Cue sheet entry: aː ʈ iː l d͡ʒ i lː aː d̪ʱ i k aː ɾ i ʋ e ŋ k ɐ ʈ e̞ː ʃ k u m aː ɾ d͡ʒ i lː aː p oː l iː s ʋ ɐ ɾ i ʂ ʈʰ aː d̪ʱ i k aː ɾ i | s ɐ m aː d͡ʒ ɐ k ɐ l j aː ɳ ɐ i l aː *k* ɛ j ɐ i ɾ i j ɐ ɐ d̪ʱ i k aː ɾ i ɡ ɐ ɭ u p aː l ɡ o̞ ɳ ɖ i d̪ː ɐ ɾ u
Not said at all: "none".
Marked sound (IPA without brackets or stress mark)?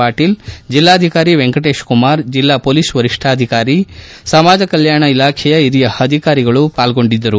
kʰ